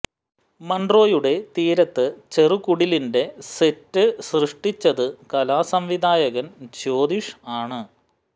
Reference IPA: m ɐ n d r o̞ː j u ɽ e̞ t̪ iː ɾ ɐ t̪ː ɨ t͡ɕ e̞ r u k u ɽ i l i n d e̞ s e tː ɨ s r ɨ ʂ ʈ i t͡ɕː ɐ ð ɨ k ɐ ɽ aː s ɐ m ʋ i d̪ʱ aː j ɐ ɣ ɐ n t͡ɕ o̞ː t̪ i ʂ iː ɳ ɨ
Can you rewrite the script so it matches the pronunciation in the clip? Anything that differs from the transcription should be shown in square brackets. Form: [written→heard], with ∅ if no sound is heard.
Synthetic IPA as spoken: m ɐ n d r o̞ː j u ɽ e̞ t̪ iː ɾ ɐ t̪ː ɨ t͡ɕ e̞ r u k u ɽ i l i n d e̞ s e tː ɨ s r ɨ ʂ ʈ i t͡ɕː ɐ ð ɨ k ɐ [ɽ→l] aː s ɐ m ʋ i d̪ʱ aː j ɐ ɣ ɐ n t͡ɕ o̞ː [t̪→d̪] i ʂ [iː→aː] ɳ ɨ